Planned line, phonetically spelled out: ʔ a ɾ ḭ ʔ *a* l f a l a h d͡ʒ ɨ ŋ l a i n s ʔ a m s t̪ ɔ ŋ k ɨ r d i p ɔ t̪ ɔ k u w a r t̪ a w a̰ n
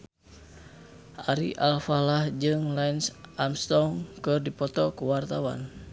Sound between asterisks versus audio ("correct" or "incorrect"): correct